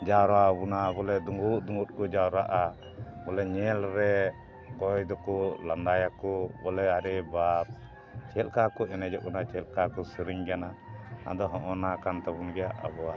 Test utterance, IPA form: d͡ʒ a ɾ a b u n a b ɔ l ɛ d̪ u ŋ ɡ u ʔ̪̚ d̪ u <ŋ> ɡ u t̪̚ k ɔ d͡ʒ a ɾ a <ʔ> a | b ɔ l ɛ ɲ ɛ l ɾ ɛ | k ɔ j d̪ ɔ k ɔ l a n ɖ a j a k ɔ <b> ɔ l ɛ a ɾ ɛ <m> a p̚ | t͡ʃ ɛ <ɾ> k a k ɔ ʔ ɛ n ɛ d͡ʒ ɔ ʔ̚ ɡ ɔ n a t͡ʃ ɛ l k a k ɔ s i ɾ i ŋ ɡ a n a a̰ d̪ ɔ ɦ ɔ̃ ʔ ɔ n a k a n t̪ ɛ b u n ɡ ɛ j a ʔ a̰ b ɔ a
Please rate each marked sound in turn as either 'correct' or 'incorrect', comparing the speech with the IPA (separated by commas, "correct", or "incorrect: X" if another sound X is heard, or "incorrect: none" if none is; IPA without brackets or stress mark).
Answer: correct, correct, correct, incorrect: b, incorrect: l